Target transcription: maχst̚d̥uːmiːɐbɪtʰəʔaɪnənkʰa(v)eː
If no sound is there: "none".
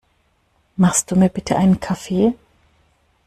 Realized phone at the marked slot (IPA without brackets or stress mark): f